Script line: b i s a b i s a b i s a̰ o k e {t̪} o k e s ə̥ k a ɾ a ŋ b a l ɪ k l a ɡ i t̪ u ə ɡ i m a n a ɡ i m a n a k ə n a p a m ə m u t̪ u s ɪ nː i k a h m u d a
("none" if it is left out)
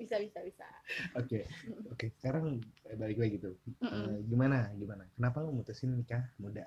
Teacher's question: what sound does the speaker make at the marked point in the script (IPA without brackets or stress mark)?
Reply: none